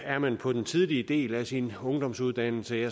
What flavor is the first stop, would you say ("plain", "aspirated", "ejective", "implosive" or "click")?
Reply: aspirated